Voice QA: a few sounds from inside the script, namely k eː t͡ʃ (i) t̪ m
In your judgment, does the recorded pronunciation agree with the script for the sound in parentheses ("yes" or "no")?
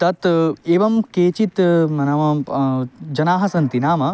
yes